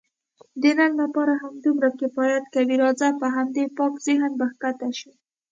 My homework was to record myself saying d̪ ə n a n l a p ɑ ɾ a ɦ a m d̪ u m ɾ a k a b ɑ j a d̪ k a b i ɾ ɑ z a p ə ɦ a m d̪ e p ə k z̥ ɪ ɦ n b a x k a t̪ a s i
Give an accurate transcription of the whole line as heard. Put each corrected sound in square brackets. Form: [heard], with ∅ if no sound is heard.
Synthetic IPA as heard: d̪ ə n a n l a p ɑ ɾ a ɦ a m d̪ u m ɾ a k [e] b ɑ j a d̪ k a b i ɾ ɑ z a p ə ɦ a m d̪ e p [ɑ] k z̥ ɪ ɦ n b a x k a t̪ a [ʃ] i